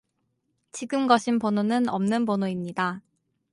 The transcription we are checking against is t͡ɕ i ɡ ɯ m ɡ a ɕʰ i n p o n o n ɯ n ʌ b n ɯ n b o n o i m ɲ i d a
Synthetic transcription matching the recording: t͡ɕ i ɡ ɯ m ɡ ʌ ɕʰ i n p o n o n ɯ n ʌ m n ɯ n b o n o i m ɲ i d a